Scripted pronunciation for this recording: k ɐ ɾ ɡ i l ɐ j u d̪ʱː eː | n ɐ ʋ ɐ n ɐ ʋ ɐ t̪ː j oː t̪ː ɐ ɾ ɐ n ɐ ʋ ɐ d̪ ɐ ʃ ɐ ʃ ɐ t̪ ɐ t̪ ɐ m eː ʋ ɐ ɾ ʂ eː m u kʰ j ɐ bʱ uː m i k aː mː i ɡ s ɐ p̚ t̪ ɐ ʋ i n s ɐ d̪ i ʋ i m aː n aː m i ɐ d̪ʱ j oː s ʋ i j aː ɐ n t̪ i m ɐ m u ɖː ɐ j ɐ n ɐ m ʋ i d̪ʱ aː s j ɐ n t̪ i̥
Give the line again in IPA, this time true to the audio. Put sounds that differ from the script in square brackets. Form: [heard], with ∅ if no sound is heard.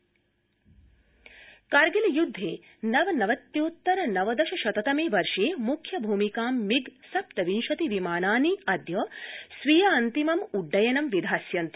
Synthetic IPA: k ɐ ɾ ɡ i l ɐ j u d̪ʱː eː | n ɐ ʋ ɐ n ɐ ʋ ɐ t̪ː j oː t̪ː ɐ ɾ ɐ n ɐ ʋ ɐ d̪ ɐ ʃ ɐ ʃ ɐ t̪ ɐ t̪ ɐ m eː ʋ ɐ ɾ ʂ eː m u kʰ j ɐ bʱ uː m i k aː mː i ɡ s ɐ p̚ t̪ ɐ ʋ i n [ʃ] ɐ [t̪] i ʋ i m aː n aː [n] i ɐ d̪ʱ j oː s ʋ i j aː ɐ n t̪ i m ɐ m u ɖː ɐ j ɐ n ɐ m ʋ i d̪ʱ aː s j ɐ n t̪ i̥

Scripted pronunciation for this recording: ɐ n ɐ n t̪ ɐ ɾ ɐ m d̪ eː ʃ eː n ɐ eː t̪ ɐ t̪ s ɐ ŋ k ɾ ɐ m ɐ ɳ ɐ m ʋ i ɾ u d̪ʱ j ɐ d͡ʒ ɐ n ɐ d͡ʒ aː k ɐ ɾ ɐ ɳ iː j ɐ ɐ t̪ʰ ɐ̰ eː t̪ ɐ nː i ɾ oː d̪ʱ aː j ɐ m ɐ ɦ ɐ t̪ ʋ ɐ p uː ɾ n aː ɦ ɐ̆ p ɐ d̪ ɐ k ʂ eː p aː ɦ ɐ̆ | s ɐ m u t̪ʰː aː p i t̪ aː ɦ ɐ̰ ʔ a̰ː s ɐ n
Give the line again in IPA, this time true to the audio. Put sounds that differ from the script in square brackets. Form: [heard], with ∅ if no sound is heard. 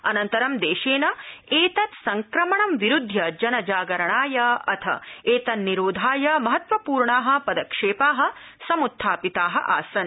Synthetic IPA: ɐ n ɐ n t̪ ɐ ɾ ɐ m d̪ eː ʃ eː n ɐ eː t̪ ɐ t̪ s ɐ ŋ k ɾ ɐ m ɐ ɳ ɐ m ʋ i ɾ u d̪ʱ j ɐ d͡ʒ ɐ n ɐ d͡ʒ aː [ɡ] ɐ ɾ ɐ ɳ [aː] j ɐ ɐ t̪ʰ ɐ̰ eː t̪ ɐ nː i ɾ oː d̪ʱ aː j ɐ m ɐ ɦ ɐ t̪ ʋ ɐ p uː ɾ [ɳ] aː ɦ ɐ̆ p ɐ d̪ ɐ k ʂ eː p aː ɦ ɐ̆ | s ɐ m u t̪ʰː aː p i t̪ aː ɦ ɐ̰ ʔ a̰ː s ɐ n

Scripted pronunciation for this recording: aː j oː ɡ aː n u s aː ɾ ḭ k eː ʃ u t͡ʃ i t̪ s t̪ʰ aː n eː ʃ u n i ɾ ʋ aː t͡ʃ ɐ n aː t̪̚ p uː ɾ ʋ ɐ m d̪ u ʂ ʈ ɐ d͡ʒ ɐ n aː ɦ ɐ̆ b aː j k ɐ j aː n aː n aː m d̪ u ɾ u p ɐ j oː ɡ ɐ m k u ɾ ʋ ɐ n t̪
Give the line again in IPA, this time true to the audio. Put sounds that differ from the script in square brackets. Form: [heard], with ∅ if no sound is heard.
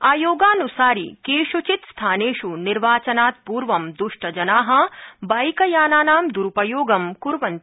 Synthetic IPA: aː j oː ɡ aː n u s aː ɾ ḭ k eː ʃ u t͡ʃ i t̪ s t̪ʰ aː n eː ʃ u n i ɾ ʋ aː t͡ʃ ɐ n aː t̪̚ p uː ɾ ʋ ɐ m d̪ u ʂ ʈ ɐ d͡ʒ ɐ n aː ɦ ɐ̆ b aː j k ɐ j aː n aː n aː m d̪ u ɾ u p ɐ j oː ɡ ɐ m k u ɾ ʋ ɐ n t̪

